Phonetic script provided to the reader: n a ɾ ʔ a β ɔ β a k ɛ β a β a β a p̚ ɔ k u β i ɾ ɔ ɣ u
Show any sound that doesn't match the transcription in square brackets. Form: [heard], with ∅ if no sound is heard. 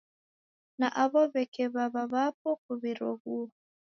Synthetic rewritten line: n a [∅] ʔ a β ɔ β [ɛ] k ɛ β a β a β a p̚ ɔ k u β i ɾ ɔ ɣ u